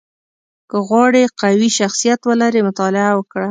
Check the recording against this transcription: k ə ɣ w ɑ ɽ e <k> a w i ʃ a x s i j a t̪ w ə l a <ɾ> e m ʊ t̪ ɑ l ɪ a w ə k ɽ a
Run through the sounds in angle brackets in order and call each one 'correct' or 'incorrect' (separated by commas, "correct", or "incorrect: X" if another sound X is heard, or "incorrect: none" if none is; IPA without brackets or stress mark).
incorrect: q, correct